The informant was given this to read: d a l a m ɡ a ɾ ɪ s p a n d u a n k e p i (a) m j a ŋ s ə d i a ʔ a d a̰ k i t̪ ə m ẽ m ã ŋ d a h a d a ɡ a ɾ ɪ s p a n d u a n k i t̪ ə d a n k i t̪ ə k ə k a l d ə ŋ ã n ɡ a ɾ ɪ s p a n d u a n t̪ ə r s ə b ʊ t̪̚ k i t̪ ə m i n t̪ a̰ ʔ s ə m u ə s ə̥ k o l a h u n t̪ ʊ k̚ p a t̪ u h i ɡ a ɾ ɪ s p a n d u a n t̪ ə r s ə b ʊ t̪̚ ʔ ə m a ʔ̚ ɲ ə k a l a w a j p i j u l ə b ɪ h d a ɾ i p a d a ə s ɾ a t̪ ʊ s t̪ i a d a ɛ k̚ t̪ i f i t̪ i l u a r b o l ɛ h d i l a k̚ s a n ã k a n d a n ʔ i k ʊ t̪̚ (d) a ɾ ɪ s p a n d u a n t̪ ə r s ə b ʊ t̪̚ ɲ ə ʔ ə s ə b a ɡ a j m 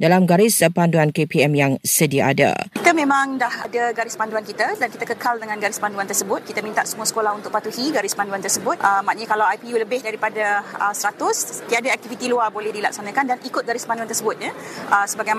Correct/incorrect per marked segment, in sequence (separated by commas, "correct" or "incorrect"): incorrect, incorrect